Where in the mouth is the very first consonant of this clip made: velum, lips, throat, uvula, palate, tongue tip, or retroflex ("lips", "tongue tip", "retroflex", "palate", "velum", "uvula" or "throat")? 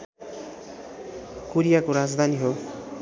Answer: velum